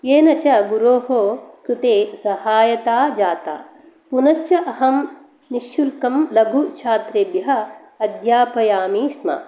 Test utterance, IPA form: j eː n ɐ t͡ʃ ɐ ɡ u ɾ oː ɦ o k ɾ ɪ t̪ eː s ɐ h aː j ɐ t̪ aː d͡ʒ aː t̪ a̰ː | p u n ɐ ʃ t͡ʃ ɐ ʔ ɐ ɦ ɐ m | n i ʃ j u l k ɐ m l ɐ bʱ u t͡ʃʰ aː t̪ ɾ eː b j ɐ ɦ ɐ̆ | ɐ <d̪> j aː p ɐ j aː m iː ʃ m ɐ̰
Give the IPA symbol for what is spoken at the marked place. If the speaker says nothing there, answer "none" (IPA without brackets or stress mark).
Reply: d̪